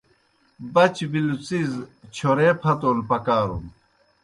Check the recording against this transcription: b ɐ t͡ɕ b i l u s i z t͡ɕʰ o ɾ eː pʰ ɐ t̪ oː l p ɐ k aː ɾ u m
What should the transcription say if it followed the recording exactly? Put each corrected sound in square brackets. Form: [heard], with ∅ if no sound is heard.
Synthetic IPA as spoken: b ɐ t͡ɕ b i l u [t͡s] i z t͡ɕʰ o ɾ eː pʰ ɐ t̪ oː l p ɐ k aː ɾ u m